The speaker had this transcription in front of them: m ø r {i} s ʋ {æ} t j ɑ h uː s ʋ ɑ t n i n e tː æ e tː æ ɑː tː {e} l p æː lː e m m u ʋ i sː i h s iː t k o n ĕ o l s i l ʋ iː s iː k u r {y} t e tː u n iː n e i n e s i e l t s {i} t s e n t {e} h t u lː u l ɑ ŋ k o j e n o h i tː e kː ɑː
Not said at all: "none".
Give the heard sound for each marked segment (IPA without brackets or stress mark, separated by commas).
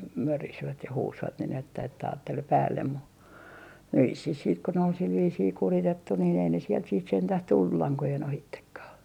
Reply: i, æ, e, i, iː, æ